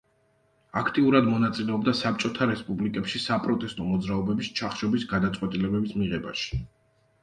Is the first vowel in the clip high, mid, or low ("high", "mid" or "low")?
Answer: low